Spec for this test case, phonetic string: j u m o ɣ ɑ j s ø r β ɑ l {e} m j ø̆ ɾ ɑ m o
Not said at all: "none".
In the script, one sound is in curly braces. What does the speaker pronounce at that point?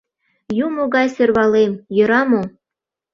e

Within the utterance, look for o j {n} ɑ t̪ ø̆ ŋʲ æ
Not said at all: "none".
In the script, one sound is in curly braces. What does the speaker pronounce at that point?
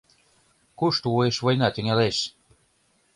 n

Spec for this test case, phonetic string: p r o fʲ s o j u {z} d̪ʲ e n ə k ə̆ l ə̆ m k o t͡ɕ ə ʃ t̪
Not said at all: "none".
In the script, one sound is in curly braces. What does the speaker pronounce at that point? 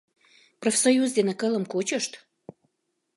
z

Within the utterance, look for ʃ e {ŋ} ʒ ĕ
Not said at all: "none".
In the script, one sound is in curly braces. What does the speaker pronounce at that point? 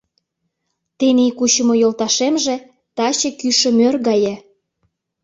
m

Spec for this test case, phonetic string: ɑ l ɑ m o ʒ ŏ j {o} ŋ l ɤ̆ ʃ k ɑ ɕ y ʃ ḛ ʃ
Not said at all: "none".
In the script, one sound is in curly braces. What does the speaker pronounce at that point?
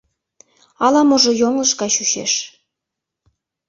o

